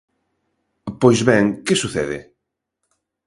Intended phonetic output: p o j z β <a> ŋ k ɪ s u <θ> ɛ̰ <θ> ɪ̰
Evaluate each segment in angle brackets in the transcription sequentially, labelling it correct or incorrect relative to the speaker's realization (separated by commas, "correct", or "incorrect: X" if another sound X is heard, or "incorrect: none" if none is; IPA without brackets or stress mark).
incorrect: ɛ, correct, incorrect: ð